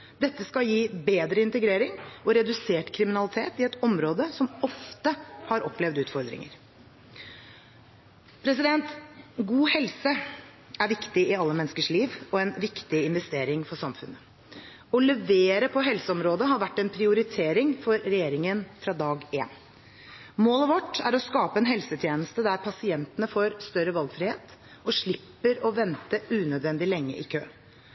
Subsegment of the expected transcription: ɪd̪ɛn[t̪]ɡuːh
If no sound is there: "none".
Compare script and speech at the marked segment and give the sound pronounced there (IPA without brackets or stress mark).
t̪